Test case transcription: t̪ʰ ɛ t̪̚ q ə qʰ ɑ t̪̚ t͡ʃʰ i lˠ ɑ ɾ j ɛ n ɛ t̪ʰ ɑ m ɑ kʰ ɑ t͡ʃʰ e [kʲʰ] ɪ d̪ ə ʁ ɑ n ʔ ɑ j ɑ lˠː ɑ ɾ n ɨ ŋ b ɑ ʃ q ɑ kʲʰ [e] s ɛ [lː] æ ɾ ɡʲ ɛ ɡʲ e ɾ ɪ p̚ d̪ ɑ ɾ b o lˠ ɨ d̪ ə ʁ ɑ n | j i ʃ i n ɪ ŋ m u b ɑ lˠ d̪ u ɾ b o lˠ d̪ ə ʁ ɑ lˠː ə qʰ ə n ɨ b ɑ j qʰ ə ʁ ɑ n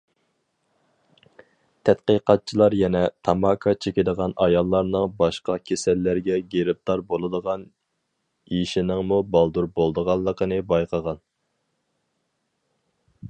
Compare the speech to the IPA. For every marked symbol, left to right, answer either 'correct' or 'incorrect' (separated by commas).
incorrect, correct, correct